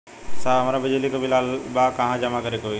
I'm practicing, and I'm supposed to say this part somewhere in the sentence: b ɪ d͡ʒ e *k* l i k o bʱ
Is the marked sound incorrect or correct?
incorrect